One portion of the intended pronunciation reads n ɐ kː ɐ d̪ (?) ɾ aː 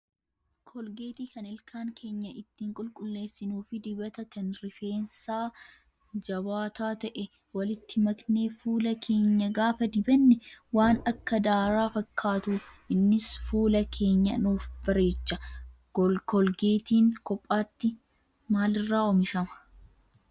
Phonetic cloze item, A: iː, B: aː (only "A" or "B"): B